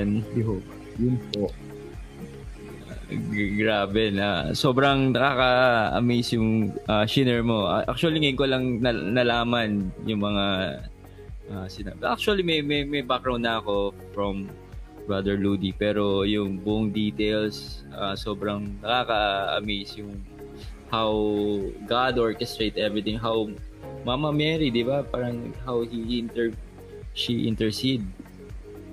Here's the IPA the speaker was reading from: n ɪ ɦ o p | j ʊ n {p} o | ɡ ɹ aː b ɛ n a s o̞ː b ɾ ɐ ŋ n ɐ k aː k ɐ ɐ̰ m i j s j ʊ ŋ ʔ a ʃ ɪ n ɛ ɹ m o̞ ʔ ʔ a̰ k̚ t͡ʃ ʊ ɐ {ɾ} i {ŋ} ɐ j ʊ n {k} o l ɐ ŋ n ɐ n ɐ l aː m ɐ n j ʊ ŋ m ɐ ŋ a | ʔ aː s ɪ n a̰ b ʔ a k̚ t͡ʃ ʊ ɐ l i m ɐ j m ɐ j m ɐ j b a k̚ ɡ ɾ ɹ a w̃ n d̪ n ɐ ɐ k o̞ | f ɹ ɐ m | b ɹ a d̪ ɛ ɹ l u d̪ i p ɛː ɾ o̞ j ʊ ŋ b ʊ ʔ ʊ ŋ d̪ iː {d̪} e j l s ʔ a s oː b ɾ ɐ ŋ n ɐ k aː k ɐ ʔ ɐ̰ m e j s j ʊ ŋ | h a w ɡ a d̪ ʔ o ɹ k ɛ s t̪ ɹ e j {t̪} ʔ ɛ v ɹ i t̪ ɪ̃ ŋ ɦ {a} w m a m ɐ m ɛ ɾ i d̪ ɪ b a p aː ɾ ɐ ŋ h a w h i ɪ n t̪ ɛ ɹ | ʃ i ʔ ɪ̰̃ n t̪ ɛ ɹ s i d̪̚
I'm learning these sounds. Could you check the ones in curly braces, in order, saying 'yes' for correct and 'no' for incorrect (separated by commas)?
yes, no, yes, yes, no, yes, yes